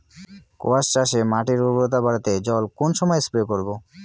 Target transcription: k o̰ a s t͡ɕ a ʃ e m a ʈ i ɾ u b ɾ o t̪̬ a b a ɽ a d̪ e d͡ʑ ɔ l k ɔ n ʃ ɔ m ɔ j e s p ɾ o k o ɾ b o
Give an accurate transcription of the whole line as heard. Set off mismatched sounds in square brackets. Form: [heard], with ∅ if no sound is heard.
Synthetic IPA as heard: k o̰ a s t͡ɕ a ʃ e m a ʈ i ɾ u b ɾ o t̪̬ a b a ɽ a [t̪] e d͡ʑ ɔ l k [o] n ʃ ɔ m ɔ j e s p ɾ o k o ɾ b o